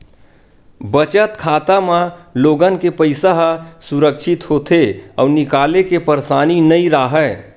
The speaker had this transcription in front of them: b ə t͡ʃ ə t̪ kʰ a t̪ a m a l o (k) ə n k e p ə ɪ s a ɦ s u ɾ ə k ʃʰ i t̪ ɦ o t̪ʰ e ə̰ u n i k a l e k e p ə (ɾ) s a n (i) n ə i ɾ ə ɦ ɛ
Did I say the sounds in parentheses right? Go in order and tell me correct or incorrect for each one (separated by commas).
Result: incorrect, correct, correct